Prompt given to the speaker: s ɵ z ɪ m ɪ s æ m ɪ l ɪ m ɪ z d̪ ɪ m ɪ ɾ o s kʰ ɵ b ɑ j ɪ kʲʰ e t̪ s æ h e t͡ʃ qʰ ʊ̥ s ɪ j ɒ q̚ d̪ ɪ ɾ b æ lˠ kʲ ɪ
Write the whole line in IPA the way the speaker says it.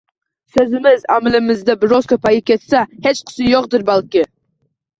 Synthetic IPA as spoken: s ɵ z ɪ m ɪ z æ m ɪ l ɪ m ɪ z d̪ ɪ b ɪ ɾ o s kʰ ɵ p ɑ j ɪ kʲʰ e t̪ s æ h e t͡ʃ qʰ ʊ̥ s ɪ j o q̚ d̪ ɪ ɾ b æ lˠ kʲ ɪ

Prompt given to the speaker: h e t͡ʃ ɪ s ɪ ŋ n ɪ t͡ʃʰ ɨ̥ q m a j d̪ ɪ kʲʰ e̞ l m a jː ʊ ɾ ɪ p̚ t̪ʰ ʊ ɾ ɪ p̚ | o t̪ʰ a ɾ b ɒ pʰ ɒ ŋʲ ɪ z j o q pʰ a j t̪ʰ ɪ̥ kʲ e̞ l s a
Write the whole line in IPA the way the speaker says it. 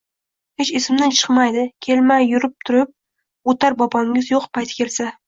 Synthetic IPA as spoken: h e t͡ʃ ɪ s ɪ m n ɪ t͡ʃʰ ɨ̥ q m a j d̪ ɪ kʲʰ e̞ l m a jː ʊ ɾ ɪ p̚ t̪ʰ ʊ ɾ ɪ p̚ | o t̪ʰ a ɾ b ɒ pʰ ɒ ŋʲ ɪ z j o q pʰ a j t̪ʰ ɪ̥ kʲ e̞ l s a

